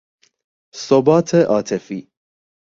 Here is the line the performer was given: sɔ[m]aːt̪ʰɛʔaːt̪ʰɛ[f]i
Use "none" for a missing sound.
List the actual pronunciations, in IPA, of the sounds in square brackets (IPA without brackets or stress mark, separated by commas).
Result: b, f